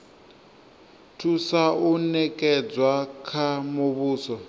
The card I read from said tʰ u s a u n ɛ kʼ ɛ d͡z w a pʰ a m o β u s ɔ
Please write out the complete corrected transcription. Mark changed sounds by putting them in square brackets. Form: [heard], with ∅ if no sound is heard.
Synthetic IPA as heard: tʰ u s a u n ɛ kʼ ɛ d͡z w a [kʰ] a m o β [uː] s ɔ